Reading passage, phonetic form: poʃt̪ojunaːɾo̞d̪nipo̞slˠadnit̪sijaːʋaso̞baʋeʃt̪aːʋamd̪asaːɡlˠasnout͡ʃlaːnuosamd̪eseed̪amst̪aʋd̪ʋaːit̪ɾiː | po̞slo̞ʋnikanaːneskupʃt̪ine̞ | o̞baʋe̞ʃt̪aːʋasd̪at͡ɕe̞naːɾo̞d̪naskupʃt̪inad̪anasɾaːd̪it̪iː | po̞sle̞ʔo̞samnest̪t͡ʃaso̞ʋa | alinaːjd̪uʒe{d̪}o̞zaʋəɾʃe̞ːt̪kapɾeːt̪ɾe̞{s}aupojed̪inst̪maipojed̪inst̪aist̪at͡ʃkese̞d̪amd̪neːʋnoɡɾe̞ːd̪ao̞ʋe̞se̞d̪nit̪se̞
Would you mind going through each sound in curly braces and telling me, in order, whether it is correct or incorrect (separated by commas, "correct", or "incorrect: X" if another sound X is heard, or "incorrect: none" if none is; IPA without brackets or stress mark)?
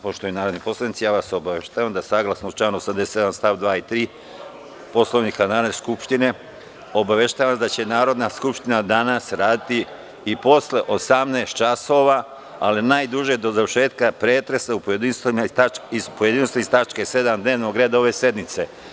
correct, correct